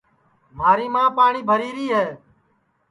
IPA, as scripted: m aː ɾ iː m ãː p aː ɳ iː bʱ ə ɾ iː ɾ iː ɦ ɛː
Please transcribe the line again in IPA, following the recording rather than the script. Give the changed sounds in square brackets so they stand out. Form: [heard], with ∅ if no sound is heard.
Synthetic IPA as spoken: m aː ɾ iː m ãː p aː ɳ iː bʱ ə ɾ iː ɾ iː ɦ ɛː